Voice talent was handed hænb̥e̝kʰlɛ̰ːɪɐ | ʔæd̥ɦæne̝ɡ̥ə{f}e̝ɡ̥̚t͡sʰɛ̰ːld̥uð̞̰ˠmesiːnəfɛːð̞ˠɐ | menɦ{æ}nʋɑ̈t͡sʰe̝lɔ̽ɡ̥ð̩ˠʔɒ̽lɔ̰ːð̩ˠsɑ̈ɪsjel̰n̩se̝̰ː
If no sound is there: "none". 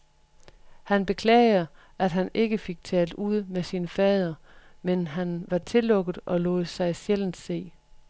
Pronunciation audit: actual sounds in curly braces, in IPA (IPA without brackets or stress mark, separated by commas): f, æ